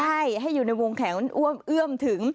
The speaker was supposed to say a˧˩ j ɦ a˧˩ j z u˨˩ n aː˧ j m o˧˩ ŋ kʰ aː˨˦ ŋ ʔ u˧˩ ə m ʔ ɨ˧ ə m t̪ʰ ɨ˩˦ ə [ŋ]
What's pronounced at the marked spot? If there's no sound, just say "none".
ŋ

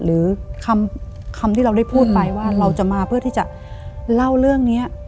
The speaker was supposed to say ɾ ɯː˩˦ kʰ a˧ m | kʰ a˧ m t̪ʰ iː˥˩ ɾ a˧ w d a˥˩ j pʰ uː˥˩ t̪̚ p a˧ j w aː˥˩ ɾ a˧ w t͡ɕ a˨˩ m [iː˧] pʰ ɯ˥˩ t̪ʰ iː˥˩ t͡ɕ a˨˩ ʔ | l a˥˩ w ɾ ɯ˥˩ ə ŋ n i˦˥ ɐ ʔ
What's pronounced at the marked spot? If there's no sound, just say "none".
aː˧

